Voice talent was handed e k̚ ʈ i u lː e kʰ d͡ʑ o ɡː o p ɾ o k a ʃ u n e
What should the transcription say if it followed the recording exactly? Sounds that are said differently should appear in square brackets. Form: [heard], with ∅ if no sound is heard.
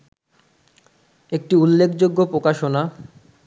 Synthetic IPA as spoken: e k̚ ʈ i u lː e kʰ d͡ʑ o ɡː o p ɾ o k a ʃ [o] n [a]